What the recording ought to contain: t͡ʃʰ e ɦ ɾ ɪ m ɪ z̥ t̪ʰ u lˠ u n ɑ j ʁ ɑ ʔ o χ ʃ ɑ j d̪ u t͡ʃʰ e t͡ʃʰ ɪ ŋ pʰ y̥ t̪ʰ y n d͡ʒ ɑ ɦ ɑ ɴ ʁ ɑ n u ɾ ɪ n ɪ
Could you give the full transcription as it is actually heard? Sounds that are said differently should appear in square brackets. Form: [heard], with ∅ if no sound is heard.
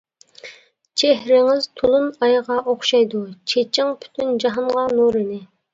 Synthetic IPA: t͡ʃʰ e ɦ ɾ ɪ [ŋ] ɪ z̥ t̪ʰ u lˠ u n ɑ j ʁ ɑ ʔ o χ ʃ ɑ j d̪ u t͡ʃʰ e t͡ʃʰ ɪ ŋ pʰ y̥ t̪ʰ y n d͡ʒ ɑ ɦ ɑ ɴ ʁ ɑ n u ɾ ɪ n ɪ